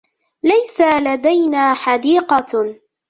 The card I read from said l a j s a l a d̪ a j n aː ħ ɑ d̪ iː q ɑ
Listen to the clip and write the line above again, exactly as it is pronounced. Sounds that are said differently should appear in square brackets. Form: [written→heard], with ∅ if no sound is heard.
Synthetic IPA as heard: l a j s a l a d̪ a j n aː ħ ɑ d̪ iː q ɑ